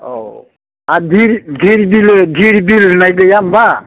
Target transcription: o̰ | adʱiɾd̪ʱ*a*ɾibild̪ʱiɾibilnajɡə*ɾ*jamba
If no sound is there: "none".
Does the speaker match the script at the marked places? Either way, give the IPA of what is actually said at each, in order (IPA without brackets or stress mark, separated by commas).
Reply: i, none